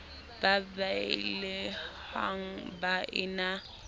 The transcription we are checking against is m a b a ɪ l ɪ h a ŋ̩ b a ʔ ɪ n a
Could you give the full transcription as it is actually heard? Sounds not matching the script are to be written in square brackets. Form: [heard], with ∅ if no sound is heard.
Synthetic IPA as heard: [b] a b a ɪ l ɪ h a ŋ̩ b a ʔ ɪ n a